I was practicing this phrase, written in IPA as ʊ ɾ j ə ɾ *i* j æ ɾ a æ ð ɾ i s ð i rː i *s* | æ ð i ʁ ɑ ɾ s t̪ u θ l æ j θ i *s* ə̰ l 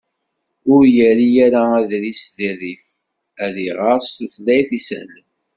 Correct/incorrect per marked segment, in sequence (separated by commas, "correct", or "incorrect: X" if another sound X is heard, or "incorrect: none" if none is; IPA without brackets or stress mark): correct, incorrect: f, correct